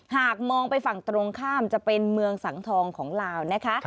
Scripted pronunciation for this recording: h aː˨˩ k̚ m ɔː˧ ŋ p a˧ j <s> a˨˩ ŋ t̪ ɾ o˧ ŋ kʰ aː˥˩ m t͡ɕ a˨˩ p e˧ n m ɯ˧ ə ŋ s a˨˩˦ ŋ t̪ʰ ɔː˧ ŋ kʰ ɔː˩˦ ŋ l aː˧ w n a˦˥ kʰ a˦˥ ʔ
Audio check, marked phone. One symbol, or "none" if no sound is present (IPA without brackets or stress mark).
f